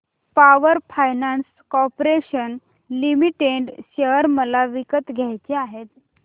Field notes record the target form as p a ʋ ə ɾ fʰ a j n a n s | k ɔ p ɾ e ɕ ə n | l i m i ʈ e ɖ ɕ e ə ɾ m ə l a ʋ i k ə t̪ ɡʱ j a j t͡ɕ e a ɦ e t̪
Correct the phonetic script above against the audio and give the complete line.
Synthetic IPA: p a ʋ ə ɾ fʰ a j n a n s | k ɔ p ɾ e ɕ ə n | l i m i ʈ e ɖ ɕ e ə ɾ m ə l a ʋ i k ə t̪ ɡʱ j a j t͡ɕ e a ɦ e t̪

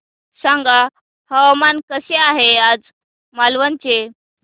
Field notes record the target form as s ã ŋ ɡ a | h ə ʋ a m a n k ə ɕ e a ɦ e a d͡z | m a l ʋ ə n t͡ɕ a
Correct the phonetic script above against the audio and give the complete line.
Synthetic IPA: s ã ŋ ɡ a | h ə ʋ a m a n k ə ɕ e a ɦ e a d͡z | m a l ʋ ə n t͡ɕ e

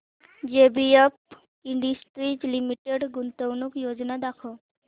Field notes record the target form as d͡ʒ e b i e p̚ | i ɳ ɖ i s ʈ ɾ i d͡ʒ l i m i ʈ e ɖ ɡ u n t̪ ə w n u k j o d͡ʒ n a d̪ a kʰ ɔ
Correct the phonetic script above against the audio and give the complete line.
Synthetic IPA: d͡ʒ e b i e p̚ | i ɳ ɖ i s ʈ ɾ i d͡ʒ l i m i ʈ e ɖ ɡ u n t̪ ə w n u k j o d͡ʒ n a d̪ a kʰ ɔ

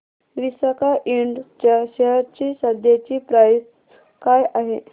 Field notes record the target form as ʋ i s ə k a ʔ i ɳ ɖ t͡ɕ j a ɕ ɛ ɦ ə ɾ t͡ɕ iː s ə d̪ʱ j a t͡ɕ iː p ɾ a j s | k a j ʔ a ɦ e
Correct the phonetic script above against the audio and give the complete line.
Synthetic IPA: ʋ i s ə k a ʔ i ɳ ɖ t͡ɕ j a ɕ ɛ ɦ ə ɾ t͡ɕ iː s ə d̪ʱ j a t͡ɕ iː p ɾ a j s | k a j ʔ a ɦ e

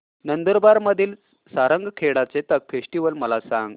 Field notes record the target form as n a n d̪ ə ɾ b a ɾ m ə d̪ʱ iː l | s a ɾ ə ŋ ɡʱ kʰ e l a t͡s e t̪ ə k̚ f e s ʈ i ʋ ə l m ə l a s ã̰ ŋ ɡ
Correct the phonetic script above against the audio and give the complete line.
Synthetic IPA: n ə n d̪ ə ɾ b a ɾ m ə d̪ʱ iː l | s a ɾ ə ŋ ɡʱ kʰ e ɽ a t͡s e t̪ ə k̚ f e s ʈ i ʋ ə l m ə l a s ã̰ ŋ ɡ

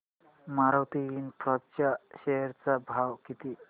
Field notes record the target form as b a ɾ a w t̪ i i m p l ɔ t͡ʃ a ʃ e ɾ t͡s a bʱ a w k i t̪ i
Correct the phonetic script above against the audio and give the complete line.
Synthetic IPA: m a ɾ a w t̪ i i n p ɾ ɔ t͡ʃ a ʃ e ɾ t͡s a bʱ a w k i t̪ i

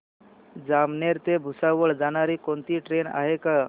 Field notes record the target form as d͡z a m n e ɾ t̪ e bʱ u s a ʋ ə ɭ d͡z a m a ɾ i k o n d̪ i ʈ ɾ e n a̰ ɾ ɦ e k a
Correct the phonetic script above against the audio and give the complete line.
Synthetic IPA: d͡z a m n e ɾ t̪ e bʱ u s a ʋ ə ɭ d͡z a n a ɾ i k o n t̪ i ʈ ɾ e n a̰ ɦ e k a

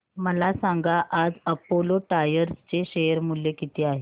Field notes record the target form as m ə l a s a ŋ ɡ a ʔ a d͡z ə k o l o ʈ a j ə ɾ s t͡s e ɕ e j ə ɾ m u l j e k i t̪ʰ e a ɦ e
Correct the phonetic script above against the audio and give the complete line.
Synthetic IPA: m ə l a s a ŋ ɡ a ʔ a d͡z ə p o l o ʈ a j ə ɾ s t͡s e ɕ e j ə ɾ m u l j e k i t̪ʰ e a ɦ e

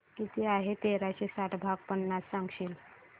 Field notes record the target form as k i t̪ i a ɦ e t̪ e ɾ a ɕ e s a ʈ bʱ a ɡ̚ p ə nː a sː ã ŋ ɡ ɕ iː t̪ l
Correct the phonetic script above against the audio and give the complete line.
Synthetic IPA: k i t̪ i a ɦ e t̪ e ɾ a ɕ e s a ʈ bʱ a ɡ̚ p ə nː a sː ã ŋ ɡ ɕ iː l

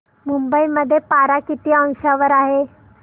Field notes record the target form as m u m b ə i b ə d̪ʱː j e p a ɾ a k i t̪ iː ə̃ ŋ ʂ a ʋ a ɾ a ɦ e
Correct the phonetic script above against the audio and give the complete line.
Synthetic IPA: m u m b ə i m ə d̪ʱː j e p a ɾ a k i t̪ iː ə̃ ŋ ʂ a ʋ ə ɾ a ɦ e

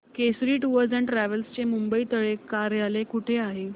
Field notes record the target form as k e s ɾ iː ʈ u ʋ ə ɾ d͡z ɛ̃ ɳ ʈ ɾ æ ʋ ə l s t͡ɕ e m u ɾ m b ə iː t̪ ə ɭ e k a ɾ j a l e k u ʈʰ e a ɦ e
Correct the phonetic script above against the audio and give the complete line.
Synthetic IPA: k e s ɾ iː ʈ u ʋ ə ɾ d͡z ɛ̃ ɳ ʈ ɾ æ ʋ ə l s t͡ɕ e m u m b ə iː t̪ ə ɭ e k a ɾ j a l e k u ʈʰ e a ɦ e

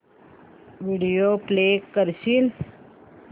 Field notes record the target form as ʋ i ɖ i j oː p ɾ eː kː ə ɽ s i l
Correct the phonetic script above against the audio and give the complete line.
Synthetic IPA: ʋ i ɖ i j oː p l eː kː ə ɾ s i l

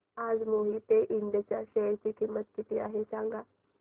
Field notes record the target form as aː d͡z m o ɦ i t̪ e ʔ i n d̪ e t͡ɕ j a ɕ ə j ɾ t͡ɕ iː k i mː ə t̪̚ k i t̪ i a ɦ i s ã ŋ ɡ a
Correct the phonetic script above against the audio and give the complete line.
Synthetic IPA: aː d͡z m o ɦ i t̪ e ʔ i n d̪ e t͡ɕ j a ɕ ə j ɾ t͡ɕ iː k i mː ə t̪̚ k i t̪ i a ɦ e s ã ŋ ɡ a

